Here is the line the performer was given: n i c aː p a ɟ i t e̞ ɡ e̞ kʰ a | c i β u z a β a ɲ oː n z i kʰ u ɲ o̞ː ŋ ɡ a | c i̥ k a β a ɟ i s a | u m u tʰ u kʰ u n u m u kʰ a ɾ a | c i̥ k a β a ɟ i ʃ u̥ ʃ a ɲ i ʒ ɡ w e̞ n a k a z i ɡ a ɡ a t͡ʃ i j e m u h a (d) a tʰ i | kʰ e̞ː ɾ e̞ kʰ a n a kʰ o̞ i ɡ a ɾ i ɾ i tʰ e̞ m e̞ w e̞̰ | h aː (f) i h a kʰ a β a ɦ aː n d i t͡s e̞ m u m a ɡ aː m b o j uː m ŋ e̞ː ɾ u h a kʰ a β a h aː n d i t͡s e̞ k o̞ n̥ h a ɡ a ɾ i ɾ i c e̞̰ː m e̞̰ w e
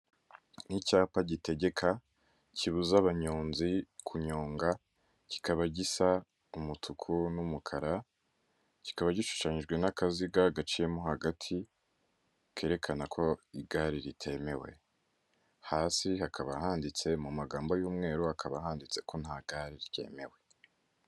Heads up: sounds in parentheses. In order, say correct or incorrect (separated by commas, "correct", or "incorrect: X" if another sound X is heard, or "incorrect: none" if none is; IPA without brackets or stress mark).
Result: incorrect: ɡ, incorrect: s